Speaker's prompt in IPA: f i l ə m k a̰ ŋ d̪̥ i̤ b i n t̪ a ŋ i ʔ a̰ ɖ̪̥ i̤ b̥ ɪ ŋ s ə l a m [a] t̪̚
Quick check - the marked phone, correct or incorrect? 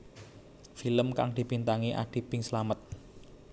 incorrect